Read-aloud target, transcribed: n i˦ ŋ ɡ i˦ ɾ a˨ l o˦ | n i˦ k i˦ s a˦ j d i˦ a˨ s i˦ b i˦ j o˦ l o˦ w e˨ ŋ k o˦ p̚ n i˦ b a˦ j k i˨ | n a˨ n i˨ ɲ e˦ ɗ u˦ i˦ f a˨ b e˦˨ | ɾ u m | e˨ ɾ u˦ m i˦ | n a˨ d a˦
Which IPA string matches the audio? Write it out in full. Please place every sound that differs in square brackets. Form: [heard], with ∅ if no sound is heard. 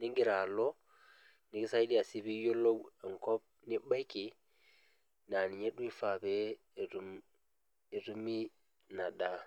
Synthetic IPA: n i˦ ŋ ɡ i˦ ɾ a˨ l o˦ | n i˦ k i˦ s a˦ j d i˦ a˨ s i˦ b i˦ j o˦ l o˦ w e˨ ŋ k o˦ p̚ n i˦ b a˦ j k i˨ | n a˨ n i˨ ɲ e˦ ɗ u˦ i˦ f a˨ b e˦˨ | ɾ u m | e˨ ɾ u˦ m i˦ | n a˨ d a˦